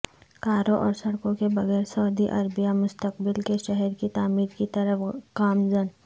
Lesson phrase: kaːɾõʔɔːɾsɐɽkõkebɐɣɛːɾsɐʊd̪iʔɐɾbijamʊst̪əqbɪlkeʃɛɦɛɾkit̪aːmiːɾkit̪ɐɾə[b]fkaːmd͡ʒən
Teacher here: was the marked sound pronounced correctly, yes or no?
no